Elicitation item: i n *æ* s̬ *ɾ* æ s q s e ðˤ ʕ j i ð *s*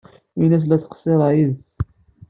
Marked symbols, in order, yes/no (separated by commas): yes, no, yes